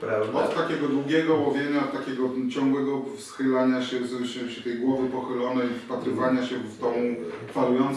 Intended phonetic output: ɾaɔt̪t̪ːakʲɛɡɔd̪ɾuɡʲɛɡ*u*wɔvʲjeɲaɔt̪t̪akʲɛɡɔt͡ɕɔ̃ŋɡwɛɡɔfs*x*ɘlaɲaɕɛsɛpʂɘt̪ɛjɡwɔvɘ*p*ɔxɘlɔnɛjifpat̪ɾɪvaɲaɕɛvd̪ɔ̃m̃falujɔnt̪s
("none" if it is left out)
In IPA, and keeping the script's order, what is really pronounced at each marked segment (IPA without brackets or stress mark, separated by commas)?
ɔ, x, p